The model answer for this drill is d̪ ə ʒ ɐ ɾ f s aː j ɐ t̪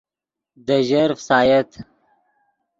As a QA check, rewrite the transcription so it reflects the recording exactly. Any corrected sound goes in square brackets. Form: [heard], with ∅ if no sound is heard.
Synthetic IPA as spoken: d̪ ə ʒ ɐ ɾ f s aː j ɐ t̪